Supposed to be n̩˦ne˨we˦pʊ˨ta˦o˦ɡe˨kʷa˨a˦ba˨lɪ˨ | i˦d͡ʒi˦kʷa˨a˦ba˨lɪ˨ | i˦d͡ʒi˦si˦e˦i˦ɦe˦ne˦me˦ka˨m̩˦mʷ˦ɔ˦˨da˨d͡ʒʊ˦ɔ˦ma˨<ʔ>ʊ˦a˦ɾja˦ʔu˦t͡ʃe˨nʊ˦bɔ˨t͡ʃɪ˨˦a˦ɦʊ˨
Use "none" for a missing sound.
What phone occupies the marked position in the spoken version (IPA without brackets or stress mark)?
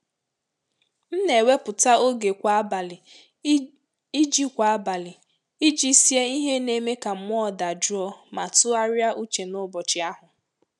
t